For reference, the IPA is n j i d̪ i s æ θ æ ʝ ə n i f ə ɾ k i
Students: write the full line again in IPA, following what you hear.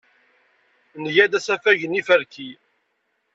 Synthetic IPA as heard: n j æ d̪ æ s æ f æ ʝ ə n i f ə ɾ k i